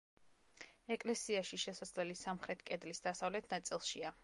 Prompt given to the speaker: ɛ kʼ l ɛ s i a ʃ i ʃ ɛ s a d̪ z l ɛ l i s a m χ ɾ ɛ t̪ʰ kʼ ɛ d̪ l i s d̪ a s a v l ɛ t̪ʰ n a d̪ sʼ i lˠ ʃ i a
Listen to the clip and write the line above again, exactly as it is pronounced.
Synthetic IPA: ɛ kʼ l ɛ s i a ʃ i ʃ ɛ s a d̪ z l ɛ l i s a m χ ɾ ɛ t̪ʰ kʼ ɛ d̪ l i s d̪ a s a v l ɛ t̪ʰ n a t̪ sʼ i lˠ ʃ i a